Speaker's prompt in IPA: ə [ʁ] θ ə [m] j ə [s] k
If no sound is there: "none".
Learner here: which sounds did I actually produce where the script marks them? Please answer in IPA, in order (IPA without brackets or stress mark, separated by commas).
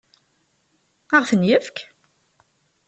ʁ, n, f